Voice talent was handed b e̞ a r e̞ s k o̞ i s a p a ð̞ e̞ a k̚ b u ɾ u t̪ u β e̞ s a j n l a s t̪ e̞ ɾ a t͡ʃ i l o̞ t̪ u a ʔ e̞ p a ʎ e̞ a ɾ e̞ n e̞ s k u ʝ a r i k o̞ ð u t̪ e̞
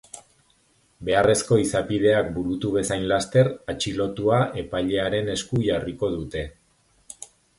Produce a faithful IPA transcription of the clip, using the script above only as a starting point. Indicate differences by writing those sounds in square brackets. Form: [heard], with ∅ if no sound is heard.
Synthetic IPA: b e̞ a r e̞ s k o̞ i s a p [i] ð̞ e̞ a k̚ b u ɾ u t̪ u β e̞ s a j n l a s t̪ e̞ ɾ a t͡ʃ i l o̞ t̪ u a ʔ e̞ p a ʎ e̞ a ɾ e̞ n e̞ s k u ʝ a r i k o̞ ð u t̪ e̞